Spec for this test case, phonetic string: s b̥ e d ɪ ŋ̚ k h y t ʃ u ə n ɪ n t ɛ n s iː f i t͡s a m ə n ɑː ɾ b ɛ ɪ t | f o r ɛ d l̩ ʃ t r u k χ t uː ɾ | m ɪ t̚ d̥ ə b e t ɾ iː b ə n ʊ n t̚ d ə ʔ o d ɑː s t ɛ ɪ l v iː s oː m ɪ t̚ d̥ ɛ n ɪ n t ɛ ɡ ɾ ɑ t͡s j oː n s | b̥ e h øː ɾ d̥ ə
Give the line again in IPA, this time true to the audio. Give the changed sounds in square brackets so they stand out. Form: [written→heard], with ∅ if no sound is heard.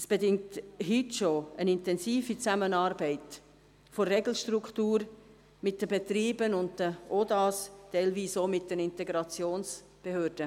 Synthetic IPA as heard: s b̥ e d ɪ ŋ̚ [k→t] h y t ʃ [u→o] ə n ɪ n t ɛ n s iː f i t͡s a m ə n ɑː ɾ b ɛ ɪ t | f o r ɛ [d→ɡ] l̩ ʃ t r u k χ t uː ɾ | m ɪ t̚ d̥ ə b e t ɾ iː b ə n ʊ n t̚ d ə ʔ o d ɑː s t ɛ ɪ l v iː s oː m ɪ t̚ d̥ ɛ n ɪ n t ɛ ɡ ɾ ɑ t͡s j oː n s | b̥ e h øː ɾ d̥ ə